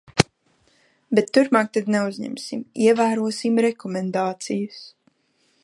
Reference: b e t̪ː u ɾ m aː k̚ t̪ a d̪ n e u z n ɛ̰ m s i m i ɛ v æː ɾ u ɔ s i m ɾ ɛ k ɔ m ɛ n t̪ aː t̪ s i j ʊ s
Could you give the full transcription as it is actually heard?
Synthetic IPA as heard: b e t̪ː u ɾ m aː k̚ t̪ a d̪ n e u z ɲ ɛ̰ m s i m i ɛ v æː ɾ u ɔ s i m ɾ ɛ k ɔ m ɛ n d̪ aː t̪ s i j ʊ s